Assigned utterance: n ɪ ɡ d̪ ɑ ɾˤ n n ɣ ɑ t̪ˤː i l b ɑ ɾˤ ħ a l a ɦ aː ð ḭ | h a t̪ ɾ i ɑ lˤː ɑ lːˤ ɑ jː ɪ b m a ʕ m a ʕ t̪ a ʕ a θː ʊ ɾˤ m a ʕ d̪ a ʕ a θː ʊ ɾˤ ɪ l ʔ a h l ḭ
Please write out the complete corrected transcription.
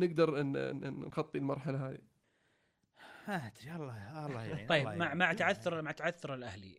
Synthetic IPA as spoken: n ɪ ɡ d̪ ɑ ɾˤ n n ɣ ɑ t̪ˤː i l m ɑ ɾˤ ħ a l a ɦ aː ð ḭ | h a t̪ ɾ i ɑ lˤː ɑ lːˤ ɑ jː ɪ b m a ʕ m a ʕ t̪ a ʕ a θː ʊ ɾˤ m a ʕ t̪ a ʕ a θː ʊ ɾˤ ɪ l ʔ a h l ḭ